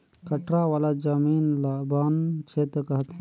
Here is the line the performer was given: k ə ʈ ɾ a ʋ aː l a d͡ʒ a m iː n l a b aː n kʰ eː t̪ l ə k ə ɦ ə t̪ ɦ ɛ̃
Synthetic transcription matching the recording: k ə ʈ ɾ a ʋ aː l a d͡ʒ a m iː n l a b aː n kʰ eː t̪ ɾ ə k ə ɦ ə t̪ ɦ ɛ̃